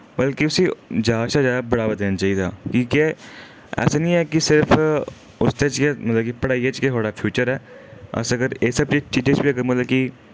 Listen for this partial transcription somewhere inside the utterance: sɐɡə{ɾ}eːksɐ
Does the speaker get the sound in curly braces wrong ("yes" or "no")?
no